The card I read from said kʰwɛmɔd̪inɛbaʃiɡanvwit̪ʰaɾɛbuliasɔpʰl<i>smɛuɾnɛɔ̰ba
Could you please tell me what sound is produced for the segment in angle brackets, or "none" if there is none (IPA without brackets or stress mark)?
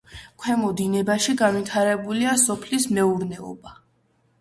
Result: i